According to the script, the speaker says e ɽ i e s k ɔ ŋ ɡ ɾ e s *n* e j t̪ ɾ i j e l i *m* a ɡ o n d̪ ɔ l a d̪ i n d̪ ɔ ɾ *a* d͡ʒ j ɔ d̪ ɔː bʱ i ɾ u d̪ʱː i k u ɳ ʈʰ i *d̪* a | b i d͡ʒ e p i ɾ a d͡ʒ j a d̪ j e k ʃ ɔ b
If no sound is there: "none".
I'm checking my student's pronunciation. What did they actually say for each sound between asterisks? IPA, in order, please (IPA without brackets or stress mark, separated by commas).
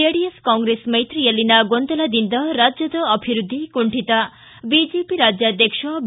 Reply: m, n, a, t̪